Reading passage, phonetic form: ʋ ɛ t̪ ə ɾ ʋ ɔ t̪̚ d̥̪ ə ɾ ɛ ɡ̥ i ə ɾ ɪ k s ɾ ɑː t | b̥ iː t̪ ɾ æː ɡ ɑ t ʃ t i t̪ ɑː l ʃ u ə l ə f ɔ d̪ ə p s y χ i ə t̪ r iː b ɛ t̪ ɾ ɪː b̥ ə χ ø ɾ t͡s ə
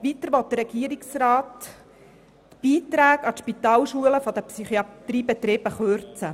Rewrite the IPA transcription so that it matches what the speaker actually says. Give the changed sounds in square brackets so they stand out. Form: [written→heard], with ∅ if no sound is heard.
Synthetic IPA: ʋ [ɛ→i] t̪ ə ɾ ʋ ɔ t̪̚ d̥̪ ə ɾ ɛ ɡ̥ i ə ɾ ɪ k s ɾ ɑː t | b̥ iː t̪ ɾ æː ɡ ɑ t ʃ [t→p] i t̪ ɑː l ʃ u ə l ə f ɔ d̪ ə p s y χ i [ə→ɑ] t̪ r iː b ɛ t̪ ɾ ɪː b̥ ə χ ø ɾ t͡s ə